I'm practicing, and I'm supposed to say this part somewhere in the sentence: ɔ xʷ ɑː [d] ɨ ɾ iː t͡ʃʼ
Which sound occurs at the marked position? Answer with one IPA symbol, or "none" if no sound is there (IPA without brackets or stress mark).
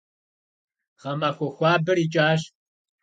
b